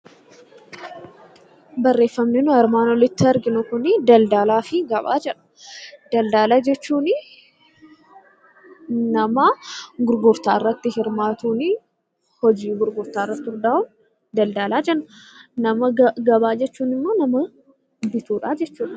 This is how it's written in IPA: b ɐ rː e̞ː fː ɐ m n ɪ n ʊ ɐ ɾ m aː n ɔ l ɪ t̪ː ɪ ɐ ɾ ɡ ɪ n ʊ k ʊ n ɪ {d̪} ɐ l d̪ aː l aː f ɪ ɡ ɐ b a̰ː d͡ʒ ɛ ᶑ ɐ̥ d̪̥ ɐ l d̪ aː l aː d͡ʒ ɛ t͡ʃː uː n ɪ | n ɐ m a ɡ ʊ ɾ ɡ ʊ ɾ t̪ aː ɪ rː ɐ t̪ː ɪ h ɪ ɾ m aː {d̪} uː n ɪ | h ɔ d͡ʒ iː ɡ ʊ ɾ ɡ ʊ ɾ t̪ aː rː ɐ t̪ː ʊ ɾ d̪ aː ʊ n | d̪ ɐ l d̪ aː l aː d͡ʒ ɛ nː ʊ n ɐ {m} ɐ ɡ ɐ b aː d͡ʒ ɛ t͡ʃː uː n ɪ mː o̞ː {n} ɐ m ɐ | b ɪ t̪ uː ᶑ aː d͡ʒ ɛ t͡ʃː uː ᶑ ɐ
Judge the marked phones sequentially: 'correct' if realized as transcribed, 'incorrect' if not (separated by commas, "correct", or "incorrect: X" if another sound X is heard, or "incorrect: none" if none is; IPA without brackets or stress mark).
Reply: correct, incorrect: t̪, correct, correct